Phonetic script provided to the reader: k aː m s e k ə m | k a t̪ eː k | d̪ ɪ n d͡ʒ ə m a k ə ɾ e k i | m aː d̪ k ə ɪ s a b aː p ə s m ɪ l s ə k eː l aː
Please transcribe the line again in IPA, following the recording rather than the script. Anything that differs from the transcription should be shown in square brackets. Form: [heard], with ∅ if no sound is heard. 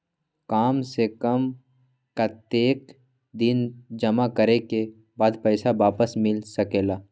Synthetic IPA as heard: k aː m s e k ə m | k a t̪ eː k | d̪ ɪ n d͡ʒ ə m a k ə ɾ e k [e] | [b] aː d̪ [p] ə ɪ s a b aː p ə s m ɪ l s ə k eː l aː

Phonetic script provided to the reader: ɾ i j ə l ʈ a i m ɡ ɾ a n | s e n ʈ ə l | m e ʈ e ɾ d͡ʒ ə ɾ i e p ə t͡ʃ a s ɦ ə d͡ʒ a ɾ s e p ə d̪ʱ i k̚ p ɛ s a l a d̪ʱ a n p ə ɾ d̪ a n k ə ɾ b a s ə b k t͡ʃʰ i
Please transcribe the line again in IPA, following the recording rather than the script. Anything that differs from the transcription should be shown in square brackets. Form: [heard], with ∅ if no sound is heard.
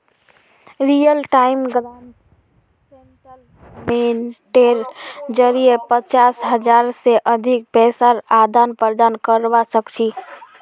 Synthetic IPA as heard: ɾ i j ə l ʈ a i m ɡ ɾ a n | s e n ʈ ə l | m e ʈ e ɾ d͡ʒ ə ɾ i e p ə t͡ʃ a s ɦ ə d͡ʒ a ɾ s e [ʔ] ə d̪ʱ i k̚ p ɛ s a [ɾ] a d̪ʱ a n p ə ɾ d̪ a n k ə ɾ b a s ə [∅] k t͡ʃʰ i

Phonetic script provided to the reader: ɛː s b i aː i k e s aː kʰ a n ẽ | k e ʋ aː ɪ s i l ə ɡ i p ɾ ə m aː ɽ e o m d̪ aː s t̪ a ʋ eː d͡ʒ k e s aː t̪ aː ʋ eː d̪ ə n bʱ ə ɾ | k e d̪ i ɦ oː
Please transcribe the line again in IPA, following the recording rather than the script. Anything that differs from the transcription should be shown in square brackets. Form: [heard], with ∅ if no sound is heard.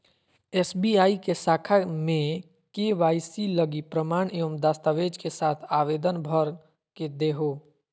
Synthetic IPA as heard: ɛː s b i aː i k e s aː kʰ a [m] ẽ | k e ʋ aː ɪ s i l ə ɡ i p ɾ ə m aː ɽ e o m d̪ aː s t̪ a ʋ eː d͡ʒ k e s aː [t̪ʰ] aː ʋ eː d̪ ə n bʱ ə ɾ | k e d̪ [e] ɦ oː

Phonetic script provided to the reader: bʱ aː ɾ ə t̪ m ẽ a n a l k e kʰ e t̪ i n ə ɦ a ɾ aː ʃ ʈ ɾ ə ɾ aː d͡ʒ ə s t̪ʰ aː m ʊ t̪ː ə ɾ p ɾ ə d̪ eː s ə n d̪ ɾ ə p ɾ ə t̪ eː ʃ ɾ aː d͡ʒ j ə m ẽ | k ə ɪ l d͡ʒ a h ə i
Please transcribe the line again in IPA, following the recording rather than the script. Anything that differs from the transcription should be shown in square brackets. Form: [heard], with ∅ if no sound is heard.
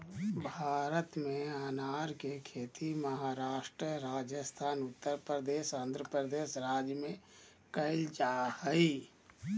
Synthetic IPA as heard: bʱ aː ɾ ə t̪ m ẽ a n a [ɾ] k e kʰ e t̪ i [m] ə ɦ a ɾ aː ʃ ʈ ɾ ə ɾ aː d͡ʒ ə s t̪ʰ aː [n] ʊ t̪ː ə ɾ p ɾ ə d̪ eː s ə n d̪ ɾ ə p ɾ ə [d̪] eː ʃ ɾ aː d͡ʒ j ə m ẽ | k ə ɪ l d͡ʒ a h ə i

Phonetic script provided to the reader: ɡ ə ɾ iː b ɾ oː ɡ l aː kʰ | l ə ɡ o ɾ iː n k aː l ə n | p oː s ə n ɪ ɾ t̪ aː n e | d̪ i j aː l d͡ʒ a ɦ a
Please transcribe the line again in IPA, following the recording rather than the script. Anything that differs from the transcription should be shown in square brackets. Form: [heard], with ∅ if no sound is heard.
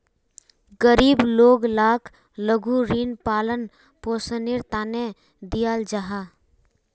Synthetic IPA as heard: ɡ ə ɾ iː b [l] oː ɡ l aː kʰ | l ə ɡ [u] ɾ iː n [p] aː l ə n | p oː s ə n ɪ ɾ t̪ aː n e | d̪ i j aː l d͡ʒ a ɦ a

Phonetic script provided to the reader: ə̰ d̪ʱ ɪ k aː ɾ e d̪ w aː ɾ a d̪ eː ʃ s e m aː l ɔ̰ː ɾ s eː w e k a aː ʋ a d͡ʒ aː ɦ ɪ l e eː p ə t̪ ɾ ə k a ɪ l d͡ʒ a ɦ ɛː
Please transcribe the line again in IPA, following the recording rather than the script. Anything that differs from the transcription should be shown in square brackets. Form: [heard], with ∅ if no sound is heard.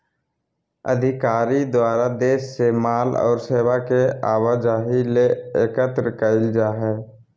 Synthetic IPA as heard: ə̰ d̪ʱ ɪ k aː ɾ [i] d̪ w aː ɾ a d̪ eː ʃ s e m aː l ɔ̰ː ɾ s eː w [a] k [e] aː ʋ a d͡ʒ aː ɦ [i] l e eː [k] ə t̪ ɾ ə k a ɪ l d͡ʒ a ɦ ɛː

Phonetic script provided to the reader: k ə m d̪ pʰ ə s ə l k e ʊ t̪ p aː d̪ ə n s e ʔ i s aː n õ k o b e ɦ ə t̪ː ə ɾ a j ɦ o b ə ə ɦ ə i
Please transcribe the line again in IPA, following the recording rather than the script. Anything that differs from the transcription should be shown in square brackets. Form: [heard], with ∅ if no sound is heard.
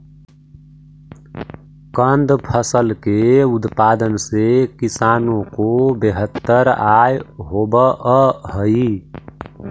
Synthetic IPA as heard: k ə [n] d̪ pʰ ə s ə l k e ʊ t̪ p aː d̪ ə n s e [k] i s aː n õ k o b e ɦ ə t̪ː ə ɾ a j ɦ o b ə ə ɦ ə i

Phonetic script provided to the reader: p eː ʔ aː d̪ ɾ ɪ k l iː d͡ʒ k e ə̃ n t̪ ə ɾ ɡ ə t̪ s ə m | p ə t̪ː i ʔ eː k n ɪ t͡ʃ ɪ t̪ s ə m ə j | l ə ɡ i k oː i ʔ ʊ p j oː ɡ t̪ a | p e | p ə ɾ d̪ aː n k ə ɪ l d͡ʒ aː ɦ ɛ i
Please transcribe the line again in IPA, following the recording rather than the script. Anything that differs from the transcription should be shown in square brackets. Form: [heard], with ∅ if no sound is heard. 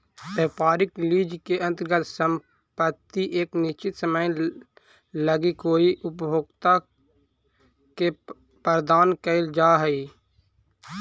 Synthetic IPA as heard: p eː [p] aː [∅] ɾ ɪ k l iː d͡ʒ k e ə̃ n t̪ ə ɾ ɡ ə t̪ s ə m | p ə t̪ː i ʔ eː k n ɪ t͡ʃ ɪ t̪ s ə m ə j | l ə ɡ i k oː i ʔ ʊ p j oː ɡ t̪ a | [k] e | p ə ɾ d̪ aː n k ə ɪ l d͡ʒ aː ɦ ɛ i

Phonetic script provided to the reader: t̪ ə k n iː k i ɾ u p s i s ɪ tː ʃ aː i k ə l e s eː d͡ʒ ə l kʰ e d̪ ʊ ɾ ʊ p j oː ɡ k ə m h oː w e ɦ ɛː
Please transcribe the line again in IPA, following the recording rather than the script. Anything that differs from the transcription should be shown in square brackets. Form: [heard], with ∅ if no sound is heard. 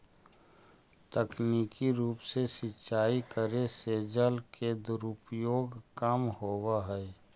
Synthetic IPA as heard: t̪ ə k n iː k i ɾ [uː] p s [e] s ɪ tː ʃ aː i k ə [ɾ] e s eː d͡ʒ ə l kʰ e d̪ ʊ ɾ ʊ p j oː ɡ k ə m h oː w [a] ɦ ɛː

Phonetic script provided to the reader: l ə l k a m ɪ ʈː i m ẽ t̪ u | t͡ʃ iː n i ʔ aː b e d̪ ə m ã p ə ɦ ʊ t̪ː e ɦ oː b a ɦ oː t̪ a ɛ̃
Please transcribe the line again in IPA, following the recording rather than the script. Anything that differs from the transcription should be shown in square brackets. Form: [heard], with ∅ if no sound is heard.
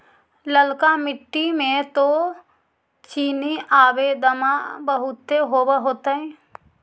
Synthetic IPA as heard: l ə l k a m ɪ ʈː i m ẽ t̪ [o] | t͡ʃ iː n i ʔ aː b e d̪ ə m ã [b] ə ɦ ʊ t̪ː e ɦ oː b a ɦ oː t̪ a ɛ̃

